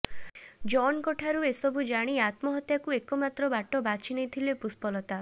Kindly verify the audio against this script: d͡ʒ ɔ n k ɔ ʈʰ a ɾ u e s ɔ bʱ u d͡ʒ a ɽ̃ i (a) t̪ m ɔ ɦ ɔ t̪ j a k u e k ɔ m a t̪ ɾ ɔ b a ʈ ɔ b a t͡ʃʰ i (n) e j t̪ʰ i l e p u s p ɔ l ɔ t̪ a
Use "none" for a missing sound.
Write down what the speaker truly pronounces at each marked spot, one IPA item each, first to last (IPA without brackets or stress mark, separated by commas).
a, n